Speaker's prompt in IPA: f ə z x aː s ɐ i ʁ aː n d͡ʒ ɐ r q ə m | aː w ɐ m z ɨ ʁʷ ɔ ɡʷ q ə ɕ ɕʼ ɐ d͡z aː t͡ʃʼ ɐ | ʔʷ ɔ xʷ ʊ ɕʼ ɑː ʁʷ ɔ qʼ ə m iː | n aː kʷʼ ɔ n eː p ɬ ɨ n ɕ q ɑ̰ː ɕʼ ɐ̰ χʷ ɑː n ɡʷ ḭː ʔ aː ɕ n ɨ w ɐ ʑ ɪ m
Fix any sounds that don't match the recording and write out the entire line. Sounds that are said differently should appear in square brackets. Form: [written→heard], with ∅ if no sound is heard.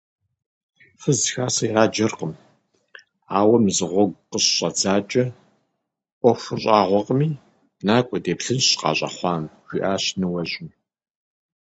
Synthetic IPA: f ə z x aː s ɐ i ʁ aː [n→∅] d͡ʒ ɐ r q ə m | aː w ɐ m z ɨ ʁʷ ɔ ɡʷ q ə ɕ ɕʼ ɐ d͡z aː t͡ʃʼ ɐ | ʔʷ ɔ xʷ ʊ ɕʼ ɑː ʁʷ ɔ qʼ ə m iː | n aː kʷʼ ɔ [n→d] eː p ɬ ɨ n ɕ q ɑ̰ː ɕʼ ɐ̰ χʷ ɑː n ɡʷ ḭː ʔ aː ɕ n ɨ w ɐ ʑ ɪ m